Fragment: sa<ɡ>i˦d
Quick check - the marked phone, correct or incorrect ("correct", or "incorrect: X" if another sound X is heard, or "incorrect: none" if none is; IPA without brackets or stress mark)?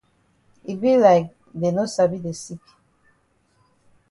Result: incorrect: b